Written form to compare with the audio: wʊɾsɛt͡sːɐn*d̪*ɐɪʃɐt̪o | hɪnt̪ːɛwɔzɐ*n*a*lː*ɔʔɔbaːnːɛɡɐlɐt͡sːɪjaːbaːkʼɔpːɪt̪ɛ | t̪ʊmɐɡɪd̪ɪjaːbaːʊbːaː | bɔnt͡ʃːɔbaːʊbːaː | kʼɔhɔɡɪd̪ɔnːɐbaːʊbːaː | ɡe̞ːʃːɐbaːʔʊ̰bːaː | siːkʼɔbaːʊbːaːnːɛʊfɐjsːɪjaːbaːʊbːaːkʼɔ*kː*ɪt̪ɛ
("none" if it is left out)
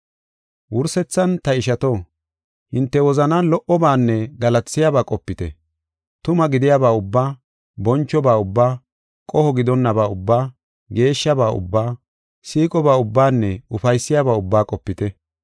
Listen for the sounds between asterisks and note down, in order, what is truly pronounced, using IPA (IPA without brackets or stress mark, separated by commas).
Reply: t̪, n, l, pː